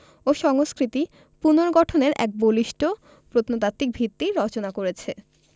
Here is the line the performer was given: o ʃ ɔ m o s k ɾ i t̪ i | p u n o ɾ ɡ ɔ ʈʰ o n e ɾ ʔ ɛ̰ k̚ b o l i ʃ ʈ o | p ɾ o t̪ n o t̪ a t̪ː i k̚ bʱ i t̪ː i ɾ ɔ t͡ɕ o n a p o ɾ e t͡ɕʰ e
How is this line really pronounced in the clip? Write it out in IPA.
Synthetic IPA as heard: o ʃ ɔ ŋ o s k ɾ i t̪ i | p u n o ɾ ɡ ɔ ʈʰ o n e ɾ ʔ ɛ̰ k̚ b o l i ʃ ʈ o | p ɾ o t̪ n o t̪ a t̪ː i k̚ bʱ i t̪ː i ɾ ɔ t͡ɕ o n a k o ɾ e t͡ɕʰ e